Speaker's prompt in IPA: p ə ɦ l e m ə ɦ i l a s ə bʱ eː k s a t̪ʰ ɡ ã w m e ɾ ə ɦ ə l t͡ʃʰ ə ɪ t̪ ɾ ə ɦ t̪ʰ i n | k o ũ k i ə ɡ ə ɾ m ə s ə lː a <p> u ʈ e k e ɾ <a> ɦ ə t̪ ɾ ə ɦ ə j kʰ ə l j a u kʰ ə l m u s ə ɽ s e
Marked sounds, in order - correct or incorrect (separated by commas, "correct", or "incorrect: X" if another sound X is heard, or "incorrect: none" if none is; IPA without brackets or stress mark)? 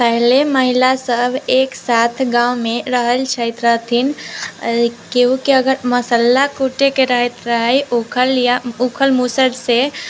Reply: incorrect: k, incorrect: ə